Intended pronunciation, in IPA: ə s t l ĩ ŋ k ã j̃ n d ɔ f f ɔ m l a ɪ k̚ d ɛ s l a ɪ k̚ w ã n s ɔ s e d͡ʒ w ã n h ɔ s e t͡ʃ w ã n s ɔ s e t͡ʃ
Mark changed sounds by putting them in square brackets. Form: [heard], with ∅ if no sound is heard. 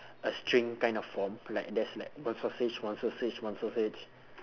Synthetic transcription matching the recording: ə s t [ɹ] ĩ ŋ k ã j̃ n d ɔ f f ɔ m l a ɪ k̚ d ɛ s l a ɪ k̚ w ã n s ɔ s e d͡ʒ w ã n [s] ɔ s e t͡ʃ w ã n s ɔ s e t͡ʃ